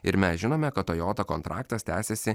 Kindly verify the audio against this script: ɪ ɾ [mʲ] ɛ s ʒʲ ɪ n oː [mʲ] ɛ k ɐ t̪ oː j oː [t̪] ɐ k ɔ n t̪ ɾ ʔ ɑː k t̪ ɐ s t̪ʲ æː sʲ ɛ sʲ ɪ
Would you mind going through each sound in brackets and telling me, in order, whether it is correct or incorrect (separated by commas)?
correct, correct, correct